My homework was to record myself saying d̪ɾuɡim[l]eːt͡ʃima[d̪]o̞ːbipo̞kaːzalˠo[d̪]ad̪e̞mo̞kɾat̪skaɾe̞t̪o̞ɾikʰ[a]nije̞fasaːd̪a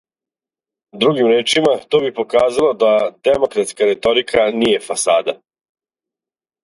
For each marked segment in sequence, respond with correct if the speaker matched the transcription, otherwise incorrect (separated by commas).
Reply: incorrect, incorrect, correct, correct